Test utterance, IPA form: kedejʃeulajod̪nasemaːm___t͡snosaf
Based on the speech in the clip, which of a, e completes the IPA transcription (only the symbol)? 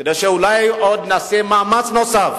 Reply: a